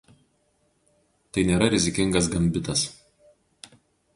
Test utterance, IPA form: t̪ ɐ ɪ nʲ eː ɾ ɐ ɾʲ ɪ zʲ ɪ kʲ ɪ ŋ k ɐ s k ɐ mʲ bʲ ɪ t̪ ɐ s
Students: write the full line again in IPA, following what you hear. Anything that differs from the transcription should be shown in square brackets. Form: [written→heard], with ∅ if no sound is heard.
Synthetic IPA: t̪ ɐ ɪ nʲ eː ɾ ɐ ɾʲ ɪ zʲ ɪ kʲ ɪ ŋ [k→ɡ] ɐ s [k→ɡ] ɐ mʲ bʲ ɪ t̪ ɐ s